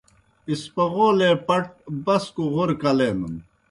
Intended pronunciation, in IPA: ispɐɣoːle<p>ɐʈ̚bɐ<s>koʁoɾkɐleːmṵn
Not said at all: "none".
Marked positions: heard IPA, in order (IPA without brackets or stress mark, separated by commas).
p, s